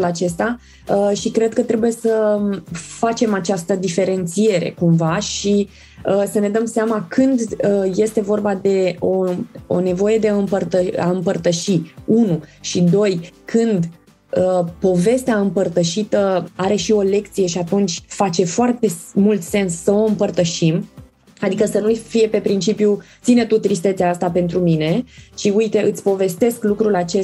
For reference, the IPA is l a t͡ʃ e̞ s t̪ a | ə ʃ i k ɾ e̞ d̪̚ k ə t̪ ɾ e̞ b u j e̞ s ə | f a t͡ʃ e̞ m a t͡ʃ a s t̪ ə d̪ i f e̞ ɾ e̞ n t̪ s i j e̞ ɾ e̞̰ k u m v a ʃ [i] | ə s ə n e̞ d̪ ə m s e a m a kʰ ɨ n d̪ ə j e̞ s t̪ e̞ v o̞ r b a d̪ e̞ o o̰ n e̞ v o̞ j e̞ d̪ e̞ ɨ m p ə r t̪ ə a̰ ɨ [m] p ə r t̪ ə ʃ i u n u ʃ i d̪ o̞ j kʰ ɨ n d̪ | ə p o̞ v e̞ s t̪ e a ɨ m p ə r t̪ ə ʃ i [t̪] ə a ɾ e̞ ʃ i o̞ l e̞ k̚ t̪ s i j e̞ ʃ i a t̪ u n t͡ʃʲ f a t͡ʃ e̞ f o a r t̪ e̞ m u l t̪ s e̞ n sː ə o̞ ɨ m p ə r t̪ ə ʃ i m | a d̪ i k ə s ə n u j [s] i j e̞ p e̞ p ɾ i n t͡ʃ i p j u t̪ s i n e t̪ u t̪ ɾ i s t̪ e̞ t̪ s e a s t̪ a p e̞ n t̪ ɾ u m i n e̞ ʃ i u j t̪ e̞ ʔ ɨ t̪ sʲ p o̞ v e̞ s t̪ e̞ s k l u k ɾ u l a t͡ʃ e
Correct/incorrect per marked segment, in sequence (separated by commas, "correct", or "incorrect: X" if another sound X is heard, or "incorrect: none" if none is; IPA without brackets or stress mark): correct, correct, correct, incorrect: f